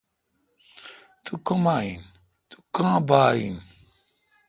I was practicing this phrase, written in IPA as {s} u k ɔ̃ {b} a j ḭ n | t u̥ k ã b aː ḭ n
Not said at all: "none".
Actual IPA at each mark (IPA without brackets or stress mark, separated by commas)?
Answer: t, m